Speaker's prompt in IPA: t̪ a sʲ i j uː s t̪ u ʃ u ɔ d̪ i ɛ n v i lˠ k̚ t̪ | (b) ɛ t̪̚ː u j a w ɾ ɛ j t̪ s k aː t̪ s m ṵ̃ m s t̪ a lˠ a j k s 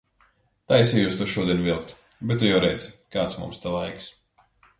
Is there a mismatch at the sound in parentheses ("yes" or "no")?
no